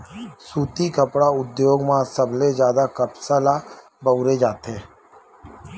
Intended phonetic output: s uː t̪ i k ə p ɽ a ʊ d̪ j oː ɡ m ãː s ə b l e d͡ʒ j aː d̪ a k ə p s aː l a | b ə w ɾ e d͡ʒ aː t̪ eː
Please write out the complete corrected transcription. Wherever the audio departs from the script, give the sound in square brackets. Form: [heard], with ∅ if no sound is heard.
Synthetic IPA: s uː t̪ i k ə p ɽ a ʊ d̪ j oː ɡ m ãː s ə b l e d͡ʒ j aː d̪ a k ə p s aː l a | b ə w ɾ e d͡ʒ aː t̪ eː